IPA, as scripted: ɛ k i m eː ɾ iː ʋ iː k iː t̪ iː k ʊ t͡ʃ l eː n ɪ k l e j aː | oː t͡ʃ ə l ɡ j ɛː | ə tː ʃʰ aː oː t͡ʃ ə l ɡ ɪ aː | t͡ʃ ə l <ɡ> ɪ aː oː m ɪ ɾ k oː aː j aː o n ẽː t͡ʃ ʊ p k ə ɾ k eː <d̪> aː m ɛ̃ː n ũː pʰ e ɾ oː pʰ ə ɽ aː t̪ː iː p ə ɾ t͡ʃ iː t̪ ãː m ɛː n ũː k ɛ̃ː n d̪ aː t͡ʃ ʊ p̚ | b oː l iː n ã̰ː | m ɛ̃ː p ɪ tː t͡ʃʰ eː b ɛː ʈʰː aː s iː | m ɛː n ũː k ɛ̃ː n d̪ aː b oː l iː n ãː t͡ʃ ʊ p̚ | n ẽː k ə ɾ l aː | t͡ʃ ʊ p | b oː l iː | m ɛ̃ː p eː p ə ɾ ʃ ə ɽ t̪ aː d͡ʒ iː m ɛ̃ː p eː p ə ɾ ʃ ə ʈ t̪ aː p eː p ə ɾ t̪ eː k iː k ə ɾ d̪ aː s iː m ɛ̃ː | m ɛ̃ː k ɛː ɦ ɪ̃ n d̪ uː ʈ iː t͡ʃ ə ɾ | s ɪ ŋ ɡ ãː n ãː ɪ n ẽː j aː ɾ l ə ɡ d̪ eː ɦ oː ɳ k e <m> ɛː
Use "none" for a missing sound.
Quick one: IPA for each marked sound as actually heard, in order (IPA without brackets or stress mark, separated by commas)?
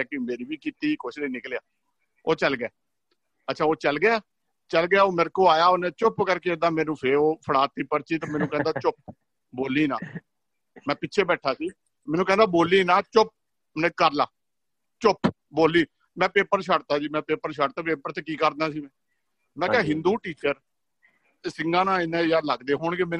ɡ, d̪, m